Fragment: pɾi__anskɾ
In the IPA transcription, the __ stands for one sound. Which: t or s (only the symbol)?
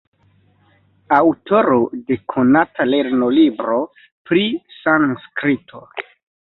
s